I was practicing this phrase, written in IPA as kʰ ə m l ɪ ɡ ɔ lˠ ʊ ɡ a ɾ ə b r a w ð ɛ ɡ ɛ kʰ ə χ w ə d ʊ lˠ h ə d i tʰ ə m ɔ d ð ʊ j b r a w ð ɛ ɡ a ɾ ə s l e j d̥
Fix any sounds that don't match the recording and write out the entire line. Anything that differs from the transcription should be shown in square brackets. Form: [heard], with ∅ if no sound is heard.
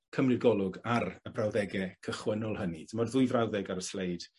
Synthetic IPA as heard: kʰ ə m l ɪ ɡ ɔ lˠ ʊ ɡ a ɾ ə b r a w ð ɛ ɡ ɛ kʰ ə χ w ə [n] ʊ lˠ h ə [n] i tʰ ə m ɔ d ð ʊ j [v] r a w ð ɛ ɡ a ɾ ə s l e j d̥